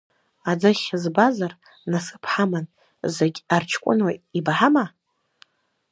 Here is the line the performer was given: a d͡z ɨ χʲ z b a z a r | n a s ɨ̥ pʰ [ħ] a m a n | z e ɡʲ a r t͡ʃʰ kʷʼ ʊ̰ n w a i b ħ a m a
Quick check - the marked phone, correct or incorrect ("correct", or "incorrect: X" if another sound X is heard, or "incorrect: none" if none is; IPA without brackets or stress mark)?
correct